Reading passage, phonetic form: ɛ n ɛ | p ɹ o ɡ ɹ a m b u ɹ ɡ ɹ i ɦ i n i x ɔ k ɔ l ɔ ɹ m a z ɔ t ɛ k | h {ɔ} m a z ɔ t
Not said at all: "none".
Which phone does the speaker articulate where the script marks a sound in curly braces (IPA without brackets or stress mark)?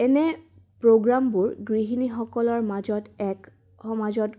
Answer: ɔ